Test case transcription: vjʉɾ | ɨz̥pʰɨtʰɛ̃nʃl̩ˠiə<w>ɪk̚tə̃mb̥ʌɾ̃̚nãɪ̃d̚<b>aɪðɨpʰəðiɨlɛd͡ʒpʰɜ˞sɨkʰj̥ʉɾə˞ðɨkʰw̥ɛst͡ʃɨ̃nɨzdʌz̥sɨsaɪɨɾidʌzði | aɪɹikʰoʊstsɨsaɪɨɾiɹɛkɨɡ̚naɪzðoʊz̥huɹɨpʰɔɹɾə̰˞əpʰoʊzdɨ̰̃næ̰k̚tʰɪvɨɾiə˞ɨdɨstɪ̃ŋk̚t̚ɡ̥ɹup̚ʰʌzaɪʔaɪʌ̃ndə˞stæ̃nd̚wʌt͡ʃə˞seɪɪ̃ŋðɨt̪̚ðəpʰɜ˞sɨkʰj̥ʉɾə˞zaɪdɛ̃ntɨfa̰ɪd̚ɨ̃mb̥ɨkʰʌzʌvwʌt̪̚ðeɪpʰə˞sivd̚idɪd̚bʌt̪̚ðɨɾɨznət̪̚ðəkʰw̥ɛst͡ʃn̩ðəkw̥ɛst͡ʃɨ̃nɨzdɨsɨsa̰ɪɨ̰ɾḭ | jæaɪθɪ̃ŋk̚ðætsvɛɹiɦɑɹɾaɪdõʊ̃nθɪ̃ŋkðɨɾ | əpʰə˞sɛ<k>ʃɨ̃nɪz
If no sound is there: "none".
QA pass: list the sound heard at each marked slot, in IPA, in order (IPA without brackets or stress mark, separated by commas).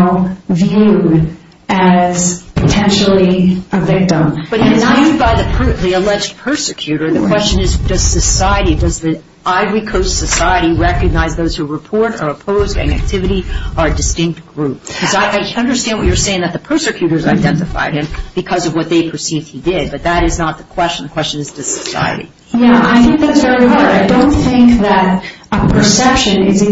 v, b, p